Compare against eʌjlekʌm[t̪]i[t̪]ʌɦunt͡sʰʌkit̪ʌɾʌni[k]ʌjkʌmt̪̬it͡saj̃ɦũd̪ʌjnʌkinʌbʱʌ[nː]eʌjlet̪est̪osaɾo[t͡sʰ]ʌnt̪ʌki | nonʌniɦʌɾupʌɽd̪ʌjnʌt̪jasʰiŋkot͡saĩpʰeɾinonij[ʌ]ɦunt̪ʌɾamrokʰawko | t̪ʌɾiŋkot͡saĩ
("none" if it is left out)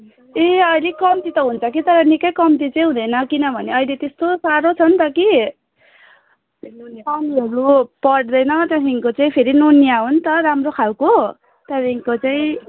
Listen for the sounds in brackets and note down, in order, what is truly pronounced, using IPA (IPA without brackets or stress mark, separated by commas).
t̪, t̪, k, n, t͡sʰ, a